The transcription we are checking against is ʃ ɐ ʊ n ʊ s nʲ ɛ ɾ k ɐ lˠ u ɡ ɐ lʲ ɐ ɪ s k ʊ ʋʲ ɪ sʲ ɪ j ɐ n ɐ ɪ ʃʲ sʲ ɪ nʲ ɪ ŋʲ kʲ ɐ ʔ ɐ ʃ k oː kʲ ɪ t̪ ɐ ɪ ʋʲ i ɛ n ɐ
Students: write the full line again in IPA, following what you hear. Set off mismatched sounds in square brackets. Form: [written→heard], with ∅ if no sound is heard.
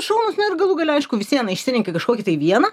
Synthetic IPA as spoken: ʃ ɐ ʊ n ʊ s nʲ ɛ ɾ [k→ɡ] ɐ lˠ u ɡ ɐ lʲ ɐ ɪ [s→ʃ] k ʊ ʋʲ ɪ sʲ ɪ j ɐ n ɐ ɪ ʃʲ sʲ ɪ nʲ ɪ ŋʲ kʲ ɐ [ʔ→k] ɐ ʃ k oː kʲ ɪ t̪ ɐ ɪ ʋʲ i ɛ n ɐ

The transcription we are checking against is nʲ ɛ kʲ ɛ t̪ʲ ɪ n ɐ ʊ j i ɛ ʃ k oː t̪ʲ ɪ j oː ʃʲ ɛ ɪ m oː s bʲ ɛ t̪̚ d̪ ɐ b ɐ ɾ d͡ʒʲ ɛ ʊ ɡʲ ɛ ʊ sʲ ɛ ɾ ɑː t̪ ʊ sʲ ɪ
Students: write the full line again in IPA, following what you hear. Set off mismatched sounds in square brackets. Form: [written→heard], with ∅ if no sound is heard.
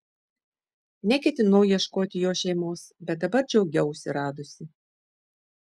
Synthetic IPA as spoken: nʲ ɛ kʲ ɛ t̪ʲ ɪ n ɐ ʊ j i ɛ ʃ k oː t̪ʲ ɪ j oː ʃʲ ɛ ɪ m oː s bʲ ɛ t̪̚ d̪ ɐ b ɐ ɾ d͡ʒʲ ɛ ʊ ɡʲ ɛ ʊ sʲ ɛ ɾ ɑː [t̪→d̪] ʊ sʲ ɪ

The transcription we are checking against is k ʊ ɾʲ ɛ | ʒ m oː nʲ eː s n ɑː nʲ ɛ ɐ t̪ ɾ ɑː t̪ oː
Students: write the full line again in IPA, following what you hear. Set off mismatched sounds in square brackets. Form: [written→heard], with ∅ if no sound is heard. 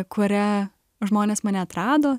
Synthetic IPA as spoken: k ʊ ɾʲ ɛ | ʒ m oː nʲ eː s [n→m] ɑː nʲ ɛ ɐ t̪ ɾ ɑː [t̪→d̪] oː

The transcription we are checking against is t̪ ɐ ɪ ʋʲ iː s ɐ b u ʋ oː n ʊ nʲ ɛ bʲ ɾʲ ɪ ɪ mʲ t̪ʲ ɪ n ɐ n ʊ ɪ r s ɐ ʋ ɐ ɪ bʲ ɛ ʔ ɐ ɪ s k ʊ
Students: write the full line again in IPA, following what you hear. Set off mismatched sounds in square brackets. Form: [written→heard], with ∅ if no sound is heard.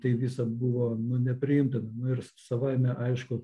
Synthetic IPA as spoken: t̪ ɐ ɪ ʋʲ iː s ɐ b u ʋ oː n ʊ nʲ ɛ [bʲ→pʲ] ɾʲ ɪ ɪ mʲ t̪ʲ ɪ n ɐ n ʊ ɪ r s ɐ ʋ ɐ ɪ [bʲ→mʲ] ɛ ʔ ɐ ɪ [s→ʃ] k ʊ

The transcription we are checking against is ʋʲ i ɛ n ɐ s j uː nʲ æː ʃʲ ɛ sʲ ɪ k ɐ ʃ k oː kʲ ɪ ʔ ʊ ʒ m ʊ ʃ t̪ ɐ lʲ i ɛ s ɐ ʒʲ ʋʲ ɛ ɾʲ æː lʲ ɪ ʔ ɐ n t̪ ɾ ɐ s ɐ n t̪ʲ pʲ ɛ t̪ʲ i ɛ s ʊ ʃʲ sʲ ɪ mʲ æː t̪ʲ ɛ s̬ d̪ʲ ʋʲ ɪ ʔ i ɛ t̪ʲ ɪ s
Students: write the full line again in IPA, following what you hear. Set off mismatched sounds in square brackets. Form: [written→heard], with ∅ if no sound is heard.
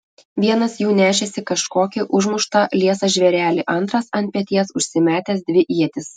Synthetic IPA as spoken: ʋʲ i ɛ n ɐ s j uː nʲ æː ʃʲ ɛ sʲ ɪ k ɐ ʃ k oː kʲ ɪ ʔ ʊ ʒ m ʊ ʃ t̪ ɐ lʲ i ɛ s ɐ ʒʲ ʋʲ ɛ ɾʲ æː lʲ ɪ ʔ ɐ n t̪ ɾ ɐ s ɐ n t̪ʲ pʲ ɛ t̪ʲ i ɛ s ʊ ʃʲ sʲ ɪ mʲ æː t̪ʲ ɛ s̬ d̪ʲ ʋʲ ɪ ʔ i ɛ t̪ʲ ɪ s

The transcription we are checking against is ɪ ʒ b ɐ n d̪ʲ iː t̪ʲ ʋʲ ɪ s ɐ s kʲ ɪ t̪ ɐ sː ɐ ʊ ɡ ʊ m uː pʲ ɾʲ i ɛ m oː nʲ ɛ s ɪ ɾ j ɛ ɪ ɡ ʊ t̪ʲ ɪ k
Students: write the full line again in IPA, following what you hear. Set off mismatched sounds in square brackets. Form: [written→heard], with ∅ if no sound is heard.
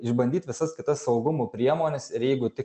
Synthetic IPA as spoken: ɪ ʒ b ɐ n d̪ʲ iː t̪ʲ ʋʲ ɪ s ɐ s kʲ ɪ t̪ ɐ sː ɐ ʊ ɡ ʊ m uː pʲ ɾʲ i ɛ m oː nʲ ɛ s ɪ ɾ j ɛ ɪ ɡ ʊ t̪ʲ ɪ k

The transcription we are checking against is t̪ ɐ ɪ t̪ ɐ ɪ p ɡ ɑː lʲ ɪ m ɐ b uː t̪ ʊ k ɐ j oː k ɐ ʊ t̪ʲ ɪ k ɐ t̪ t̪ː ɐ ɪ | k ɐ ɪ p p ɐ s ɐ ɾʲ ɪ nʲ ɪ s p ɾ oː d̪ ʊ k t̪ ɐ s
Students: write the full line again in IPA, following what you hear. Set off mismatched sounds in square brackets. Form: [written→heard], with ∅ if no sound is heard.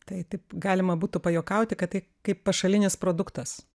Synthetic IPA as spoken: t̪ ɐ ɪ t̪ ɐ ɪ p ɡ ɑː lʲ ɪ m ɐ b uː t̪ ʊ [k→p] ɐ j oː k ɐ ʊ t̪ʲ ɪ k ɐ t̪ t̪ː ɐ ɪ | k ɐ ɪ p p ɐ [s→ʃ] ɐ [ɾʲ→lʲ] ɪ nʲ ɪ s p ɾ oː d̪ ʊ k t̪ ɐ s

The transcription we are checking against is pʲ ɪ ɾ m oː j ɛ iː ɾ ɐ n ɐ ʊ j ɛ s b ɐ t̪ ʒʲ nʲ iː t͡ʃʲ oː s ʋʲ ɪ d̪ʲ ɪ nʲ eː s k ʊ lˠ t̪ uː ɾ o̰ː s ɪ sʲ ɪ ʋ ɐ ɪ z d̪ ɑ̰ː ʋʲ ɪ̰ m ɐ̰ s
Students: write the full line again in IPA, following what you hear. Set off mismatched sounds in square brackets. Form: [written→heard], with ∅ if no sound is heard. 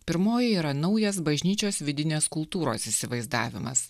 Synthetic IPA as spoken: pʲ ɪ ɾ m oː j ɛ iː ɾ ɐ n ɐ ʊ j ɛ s b ɐ [t̪→∅] ʒʲ nʲ iː t͡ʃʲ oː s ʋʲ ɪ d̪ʲ ɪ nʲ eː s k ʊ lˠ t̪ uː ɾ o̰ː s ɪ sʲ ɪ ʋ ɐ ɪ z d̪ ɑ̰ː ʋʲ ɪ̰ m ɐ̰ s

